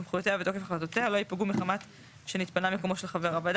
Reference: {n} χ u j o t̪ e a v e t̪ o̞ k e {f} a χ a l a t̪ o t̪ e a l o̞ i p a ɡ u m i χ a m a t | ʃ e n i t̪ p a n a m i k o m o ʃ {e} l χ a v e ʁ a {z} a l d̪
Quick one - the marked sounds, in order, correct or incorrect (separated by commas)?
incorrect, correct, correct, incorrect